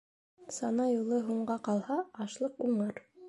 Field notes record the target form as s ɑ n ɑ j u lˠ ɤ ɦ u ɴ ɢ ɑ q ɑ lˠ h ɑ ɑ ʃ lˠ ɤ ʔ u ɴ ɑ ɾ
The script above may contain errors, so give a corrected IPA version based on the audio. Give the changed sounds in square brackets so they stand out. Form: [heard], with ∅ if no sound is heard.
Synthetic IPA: s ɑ n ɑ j u lˠ ɤ ɦ u ɴ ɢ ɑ q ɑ lˠ h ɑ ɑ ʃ lˠ ɤ [q] u ɴ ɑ ɾ